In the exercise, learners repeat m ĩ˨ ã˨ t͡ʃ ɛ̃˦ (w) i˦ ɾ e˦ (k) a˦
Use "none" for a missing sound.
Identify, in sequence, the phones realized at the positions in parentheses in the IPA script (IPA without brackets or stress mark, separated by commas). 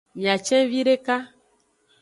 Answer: v, k